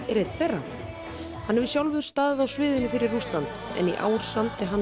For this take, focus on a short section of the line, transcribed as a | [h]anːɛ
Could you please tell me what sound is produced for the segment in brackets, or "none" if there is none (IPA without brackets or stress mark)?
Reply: h